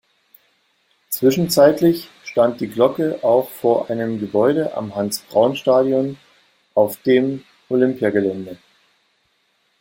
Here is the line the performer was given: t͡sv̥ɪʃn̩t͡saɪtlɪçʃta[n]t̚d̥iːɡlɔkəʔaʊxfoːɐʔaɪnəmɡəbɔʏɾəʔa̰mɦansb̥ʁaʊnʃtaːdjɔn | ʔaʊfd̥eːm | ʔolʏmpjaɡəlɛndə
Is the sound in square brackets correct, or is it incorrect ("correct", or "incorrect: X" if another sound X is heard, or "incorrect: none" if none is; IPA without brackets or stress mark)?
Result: correct